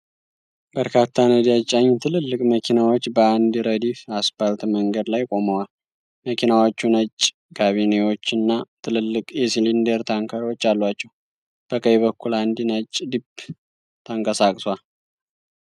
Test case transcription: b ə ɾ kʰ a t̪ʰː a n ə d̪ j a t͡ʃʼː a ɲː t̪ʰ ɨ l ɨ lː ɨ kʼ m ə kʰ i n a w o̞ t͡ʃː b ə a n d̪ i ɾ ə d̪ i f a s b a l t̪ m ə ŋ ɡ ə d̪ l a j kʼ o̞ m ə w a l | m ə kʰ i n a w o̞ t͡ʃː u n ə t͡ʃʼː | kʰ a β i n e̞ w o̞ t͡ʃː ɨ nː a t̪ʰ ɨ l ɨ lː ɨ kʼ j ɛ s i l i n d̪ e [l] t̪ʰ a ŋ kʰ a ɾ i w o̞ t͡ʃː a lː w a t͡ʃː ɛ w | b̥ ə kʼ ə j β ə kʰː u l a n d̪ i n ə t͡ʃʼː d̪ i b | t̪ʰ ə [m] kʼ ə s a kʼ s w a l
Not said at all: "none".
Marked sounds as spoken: ɾ, ŋ

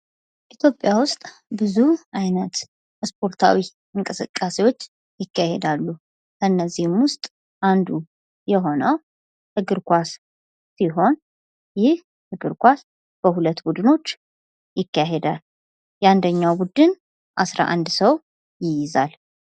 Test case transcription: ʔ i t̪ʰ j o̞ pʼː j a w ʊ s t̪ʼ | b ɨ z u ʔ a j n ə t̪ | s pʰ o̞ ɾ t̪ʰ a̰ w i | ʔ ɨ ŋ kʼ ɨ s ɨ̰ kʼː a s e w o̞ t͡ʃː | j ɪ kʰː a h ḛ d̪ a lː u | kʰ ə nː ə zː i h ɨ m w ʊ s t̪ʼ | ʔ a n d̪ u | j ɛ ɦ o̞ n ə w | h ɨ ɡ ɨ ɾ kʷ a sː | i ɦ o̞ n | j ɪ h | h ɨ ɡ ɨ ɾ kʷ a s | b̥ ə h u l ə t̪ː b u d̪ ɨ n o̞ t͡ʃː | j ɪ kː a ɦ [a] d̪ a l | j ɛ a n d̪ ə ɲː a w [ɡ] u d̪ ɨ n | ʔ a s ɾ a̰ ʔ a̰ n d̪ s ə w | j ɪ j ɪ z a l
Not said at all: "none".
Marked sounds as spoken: e, b

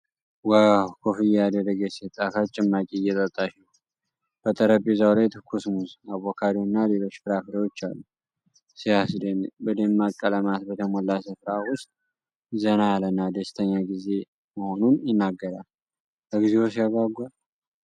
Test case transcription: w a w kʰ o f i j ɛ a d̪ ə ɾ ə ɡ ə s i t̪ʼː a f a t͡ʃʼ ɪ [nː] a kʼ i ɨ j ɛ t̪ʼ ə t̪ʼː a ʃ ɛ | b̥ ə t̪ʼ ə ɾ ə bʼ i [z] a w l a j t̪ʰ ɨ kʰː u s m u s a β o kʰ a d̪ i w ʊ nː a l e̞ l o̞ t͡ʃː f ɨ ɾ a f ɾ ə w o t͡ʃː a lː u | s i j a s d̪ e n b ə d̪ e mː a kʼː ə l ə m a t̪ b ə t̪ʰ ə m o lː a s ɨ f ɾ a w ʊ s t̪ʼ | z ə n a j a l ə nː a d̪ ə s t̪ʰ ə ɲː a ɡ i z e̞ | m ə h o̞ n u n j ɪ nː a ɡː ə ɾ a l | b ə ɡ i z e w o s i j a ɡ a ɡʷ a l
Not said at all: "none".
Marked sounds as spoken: mː, z

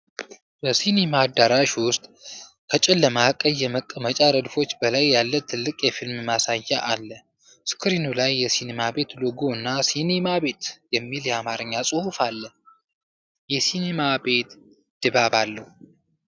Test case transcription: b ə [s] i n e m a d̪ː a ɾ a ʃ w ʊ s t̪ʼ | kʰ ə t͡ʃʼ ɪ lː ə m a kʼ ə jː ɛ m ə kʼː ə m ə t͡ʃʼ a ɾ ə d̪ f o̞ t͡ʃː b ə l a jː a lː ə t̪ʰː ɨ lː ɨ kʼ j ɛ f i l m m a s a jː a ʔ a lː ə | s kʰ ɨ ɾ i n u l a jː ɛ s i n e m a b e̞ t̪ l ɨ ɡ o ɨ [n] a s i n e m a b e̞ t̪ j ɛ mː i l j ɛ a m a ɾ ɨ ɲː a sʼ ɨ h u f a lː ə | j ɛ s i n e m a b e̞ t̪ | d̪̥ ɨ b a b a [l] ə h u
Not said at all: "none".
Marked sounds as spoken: s, nː, lː

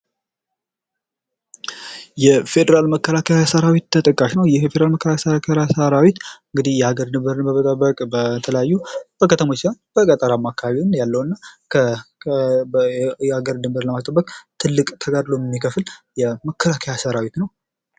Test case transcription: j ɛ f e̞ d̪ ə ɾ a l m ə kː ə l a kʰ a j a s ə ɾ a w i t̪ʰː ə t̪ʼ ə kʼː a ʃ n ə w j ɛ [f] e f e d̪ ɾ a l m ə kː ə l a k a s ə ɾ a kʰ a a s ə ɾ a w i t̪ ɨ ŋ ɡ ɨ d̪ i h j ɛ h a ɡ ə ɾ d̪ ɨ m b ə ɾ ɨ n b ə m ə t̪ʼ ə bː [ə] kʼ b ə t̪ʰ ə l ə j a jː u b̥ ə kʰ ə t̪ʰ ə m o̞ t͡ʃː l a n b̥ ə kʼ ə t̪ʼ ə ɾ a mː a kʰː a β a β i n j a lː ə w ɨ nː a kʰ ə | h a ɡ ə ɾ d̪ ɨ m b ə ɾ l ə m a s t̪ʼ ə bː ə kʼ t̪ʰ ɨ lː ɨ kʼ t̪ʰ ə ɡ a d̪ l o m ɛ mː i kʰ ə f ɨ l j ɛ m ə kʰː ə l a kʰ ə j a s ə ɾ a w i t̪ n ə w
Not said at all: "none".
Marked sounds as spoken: f, ə

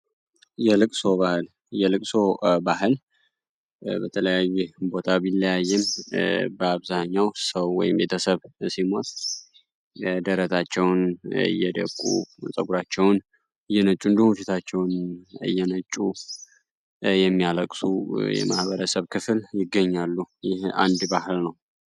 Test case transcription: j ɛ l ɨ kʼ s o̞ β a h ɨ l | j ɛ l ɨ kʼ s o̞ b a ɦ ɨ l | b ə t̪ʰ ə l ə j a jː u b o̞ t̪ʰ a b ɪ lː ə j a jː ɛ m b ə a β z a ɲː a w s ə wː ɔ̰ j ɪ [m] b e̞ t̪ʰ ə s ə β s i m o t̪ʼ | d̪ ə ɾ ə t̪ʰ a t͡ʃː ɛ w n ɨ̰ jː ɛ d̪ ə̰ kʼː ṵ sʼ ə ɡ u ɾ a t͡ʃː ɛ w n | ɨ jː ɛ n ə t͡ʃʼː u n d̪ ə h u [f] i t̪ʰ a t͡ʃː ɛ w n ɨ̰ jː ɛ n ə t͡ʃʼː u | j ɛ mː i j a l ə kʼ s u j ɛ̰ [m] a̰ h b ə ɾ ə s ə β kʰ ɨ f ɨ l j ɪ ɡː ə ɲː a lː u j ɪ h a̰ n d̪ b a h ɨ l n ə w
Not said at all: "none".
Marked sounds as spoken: m, f, m

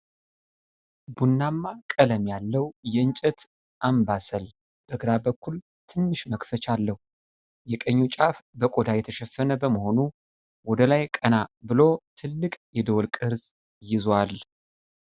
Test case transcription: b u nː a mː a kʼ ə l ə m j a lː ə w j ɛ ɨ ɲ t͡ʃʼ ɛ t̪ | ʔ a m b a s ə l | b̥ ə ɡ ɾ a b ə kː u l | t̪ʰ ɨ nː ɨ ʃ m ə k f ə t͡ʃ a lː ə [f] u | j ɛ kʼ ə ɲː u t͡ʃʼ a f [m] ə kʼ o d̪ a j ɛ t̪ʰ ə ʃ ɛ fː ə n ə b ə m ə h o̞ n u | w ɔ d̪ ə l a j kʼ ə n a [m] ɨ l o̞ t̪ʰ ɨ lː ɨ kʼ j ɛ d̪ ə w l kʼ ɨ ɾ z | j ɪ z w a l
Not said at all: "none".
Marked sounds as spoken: h, b, b

